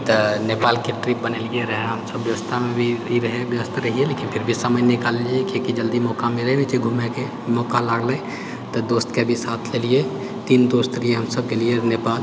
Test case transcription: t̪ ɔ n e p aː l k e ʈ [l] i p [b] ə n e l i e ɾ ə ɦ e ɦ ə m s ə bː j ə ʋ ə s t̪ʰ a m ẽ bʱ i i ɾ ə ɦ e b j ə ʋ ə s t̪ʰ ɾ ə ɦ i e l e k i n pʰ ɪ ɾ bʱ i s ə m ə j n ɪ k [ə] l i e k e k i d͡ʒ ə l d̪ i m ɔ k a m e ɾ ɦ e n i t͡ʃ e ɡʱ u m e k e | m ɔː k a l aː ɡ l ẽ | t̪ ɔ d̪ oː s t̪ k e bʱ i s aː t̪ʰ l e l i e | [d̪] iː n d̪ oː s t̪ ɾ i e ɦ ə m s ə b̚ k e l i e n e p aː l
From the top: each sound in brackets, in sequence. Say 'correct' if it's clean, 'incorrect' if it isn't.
incorrect: ɾ, correct, incorrect: a, incorrect: t̪

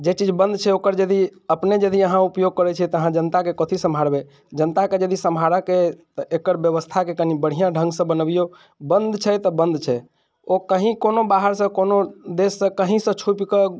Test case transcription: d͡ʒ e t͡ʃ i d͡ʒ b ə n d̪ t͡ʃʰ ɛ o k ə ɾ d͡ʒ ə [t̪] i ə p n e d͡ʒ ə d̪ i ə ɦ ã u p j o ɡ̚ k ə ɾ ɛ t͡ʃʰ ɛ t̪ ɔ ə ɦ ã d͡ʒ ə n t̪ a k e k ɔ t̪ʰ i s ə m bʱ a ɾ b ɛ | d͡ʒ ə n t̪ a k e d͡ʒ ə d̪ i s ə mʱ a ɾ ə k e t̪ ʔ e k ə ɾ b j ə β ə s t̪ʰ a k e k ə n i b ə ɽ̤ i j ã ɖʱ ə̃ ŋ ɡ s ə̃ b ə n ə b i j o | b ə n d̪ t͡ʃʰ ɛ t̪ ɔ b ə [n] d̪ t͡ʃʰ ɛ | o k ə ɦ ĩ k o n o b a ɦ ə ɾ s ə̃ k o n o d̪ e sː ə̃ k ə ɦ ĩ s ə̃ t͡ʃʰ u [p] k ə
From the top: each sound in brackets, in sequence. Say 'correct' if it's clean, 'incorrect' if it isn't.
incorrect: d̪, correct, correct

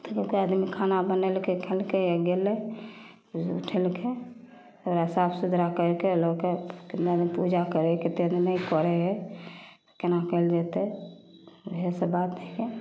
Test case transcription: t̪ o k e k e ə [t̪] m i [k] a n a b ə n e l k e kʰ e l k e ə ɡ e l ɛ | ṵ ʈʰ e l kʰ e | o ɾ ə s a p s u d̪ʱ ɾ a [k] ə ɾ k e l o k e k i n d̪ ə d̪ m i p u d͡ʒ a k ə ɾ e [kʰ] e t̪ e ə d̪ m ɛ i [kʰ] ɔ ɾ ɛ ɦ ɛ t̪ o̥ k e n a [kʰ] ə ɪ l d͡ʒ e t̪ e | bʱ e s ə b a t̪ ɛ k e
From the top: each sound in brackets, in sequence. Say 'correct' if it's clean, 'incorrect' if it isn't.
incorrect: d̪, incorrect: kʰ, correct, incorrect: k, incorrect: k, incorrect: k

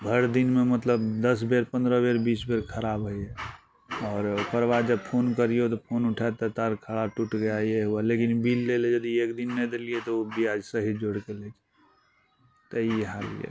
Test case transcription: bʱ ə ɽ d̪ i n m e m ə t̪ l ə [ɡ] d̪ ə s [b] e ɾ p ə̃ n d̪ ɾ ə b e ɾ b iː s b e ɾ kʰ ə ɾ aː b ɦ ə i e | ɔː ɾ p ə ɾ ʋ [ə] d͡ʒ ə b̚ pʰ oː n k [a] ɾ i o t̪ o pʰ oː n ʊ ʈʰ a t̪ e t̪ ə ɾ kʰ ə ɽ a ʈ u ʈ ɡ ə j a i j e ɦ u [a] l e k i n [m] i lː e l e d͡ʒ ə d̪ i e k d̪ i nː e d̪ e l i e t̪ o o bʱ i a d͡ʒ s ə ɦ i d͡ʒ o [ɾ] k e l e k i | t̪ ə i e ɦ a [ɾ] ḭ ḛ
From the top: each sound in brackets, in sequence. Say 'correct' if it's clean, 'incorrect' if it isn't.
incorrect: b, correct, incorrect: a, incorrect: ə, correct, incorrect: b, incorrect: ɽ, incorrect: l

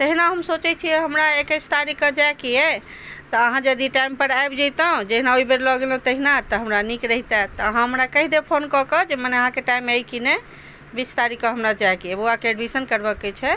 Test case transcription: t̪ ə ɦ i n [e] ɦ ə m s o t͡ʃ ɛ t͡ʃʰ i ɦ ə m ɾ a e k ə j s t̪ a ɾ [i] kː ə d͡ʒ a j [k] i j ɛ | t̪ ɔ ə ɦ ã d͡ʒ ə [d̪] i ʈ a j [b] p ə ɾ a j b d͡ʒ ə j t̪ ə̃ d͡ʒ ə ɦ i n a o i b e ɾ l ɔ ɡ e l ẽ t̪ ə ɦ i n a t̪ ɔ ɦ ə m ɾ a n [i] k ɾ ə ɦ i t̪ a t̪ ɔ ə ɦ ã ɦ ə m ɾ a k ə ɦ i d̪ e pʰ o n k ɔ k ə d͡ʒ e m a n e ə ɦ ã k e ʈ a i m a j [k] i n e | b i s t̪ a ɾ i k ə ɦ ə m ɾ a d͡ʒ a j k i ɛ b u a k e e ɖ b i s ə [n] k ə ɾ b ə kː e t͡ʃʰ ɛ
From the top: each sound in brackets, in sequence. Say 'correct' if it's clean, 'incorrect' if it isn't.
incorrect: a, correct, correct, correct, incorrect: m, correct, correct, correct

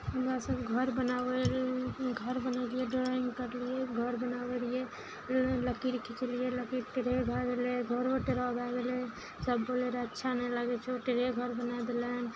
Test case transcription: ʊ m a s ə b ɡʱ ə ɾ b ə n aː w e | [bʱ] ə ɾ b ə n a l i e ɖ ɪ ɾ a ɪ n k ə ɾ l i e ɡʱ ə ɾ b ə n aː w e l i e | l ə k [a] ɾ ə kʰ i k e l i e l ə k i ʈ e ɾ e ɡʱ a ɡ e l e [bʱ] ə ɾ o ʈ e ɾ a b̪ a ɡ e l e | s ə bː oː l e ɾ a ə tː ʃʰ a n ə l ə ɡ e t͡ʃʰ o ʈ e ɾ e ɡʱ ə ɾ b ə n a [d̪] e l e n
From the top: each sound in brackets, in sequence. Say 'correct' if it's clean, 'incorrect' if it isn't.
incorrect: ɡʱ, incorrect: i, incorrect: ɡʱ, correct

